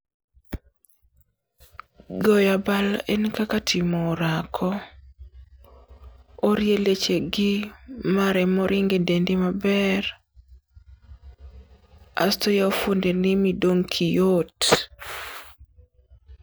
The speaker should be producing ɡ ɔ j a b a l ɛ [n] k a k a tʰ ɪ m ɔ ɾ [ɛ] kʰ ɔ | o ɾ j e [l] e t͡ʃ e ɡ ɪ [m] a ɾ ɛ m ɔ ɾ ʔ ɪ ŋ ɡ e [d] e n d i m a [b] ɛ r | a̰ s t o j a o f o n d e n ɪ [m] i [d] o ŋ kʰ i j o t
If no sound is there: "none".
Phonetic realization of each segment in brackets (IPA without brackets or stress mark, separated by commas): n, a, l, m, d, b, m, d